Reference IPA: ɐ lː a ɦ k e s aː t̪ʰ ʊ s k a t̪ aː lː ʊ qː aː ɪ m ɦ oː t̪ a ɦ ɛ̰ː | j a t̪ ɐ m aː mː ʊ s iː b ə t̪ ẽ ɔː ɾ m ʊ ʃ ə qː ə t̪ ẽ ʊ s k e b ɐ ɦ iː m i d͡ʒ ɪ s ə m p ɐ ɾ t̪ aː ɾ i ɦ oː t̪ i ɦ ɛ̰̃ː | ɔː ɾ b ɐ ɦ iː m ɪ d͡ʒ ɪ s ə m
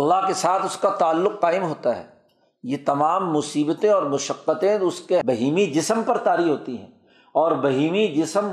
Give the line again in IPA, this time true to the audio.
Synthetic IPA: ɐ lː a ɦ k e s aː t̪ʰ ʊ s k a t̪ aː lː ʊ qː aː ɪ m ɦ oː t̪ a ɦ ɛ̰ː | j e t̪ ɐ m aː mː ʊ s iː b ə t̪ ẽ ɔː ɾ m ʊ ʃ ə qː ə t̪ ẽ ʊ s k e b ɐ ɦ iː m i d͡ʒ ɪ s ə m p ɐ ɾ t̪ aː ɾ i ɦ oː t̪ i ɦ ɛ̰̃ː | ɔː ɾ b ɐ ɦ iː m i d͡ʒ ɪ s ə m